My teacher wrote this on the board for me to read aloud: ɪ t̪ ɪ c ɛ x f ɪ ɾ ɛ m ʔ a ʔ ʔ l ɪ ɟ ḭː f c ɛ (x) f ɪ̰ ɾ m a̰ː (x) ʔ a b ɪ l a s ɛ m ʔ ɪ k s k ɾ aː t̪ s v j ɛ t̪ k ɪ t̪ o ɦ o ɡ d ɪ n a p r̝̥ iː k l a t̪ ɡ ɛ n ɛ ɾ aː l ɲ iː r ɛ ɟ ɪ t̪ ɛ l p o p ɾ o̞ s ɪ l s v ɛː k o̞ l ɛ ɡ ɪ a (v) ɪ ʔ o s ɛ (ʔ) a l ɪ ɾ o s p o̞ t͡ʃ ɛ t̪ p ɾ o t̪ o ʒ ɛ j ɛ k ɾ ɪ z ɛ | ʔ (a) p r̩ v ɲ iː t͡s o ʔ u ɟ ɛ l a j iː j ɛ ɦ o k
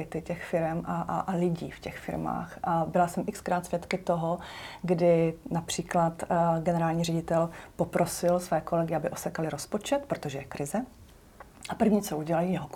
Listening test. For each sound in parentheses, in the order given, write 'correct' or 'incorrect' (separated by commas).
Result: correct, correct, incorrect, incorrect, correct